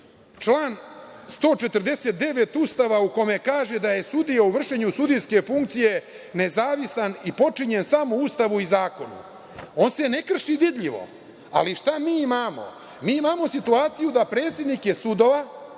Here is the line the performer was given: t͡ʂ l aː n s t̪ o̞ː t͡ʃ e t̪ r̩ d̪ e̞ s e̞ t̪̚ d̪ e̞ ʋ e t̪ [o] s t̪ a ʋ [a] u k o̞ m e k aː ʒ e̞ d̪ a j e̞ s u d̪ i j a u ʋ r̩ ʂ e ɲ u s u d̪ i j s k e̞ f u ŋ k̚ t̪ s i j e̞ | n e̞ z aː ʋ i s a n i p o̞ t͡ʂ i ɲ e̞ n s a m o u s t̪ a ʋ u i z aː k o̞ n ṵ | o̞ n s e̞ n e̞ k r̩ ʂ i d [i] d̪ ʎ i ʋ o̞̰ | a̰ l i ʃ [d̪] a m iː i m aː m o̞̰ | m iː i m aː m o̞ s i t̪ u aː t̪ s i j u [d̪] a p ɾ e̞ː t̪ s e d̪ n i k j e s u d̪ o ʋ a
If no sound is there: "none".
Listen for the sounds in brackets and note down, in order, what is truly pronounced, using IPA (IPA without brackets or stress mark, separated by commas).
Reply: u, a, i, t̪, d̪